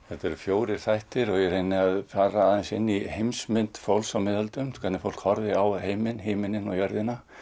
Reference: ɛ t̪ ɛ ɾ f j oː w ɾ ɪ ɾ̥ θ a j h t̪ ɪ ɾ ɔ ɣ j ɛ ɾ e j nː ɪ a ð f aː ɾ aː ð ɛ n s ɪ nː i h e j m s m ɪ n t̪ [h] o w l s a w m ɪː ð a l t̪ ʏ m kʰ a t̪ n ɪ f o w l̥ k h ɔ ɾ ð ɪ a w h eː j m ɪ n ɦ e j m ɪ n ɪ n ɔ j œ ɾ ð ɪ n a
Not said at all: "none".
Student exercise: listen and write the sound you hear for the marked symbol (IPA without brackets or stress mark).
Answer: f